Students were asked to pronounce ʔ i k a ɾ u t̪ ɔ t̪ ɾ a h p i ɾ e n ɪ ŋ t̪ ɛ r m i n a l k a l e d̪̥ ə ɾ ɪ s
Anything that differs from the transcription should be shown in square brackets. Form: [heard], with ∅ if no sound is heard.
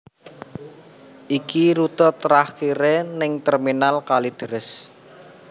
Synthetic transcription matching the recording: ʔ i k [i] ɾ u t̪ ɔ t̪ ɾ a h [k] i ɾ e n ɪ ŋ t̪ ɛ r m i n a l k a l [i] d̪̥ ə ɾ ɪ s